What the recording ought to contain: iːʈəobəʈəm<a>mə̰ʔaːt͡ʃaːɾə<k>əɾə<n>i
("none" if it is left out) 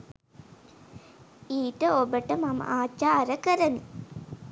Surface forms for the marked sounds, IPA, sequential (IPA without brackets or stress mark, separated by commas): a, k, n